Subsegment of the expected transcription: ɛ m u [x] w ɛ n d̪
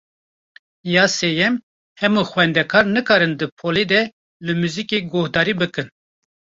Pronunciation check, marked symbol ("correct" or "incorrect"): correct